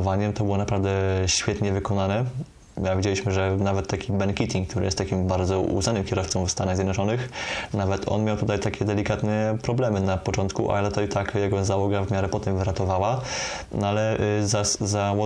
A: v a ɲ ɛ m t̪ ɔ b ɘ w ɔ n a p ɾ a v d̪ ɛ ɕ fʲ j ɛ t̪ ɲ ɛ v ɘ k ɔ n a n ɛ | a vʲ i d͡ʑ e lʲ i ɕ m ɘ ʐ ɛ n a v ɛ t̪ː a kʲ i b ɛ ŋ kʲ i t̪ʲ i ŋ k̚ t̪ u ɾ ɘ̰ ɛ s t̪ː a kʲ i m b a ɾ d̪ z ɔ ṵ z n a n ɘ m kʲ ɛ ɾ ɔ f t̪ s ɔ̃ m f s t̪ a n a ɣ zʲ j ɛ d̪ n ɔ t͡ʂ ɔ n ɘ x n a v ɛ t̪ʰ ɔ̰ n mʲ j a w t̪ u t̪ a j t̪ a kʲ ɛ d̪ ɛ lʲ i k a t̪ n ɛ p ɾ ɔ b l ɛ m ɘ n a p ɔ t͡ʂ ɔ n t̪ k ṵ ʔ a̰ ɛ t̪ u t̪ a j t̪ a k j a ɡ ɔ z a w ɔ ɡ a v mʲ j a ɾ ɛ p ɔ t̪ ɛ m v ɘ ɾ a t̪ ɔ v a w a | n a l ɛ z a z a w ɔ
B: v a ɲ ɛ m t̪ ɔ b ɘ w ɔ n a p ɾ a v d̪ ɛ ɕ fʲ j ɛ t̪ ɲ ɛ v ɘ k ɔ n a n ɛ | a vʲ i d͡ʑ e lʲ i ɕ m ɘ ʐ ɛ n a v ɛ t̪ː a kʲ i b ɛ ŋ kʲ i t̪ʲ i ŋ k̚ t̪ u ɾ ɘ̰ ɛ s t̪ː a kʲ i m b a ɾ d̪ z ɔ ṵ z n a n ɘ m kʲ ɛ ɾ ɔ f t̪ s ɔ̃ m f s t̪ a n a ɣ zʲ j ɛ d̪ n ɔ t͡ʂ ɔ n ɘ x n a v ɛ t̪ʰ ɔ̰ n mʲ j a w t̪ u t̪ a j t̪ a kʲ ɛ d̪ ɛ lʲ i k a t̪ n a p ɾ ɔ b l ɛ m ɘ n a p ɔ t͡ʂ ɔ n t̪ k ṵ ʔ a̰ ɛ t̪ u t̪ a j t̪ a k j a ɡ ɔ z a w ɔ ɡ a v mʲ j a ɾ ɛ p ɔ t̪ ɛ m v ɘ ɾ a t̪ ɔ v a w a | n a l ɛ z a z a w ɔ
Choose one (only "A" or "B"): A